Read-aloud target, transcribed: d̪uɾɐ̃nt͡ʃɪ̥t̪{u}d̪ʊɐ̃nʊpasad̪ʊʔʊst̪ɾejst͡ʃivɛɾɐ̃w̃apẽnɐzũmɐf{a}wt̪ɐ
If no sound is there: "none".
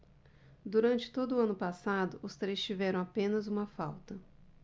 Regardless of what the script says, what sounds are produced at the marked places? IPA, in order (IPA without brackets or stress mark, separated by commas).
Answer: o, a